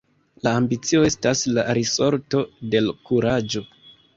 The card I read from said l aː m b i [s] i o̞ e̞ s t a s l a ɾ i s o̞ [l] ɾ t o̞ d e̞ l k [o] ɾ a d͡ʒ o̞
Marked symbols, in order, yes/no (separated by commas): no, no, no